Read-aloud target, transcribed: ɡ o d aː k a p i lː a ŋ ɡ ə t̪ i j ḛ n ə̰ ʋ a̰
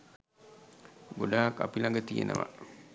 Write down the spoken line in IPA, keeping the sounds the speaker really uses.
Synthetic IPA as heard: ɡ o d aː k a p i l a ŋ ɡ ə t̪ i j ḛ n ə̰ ʋ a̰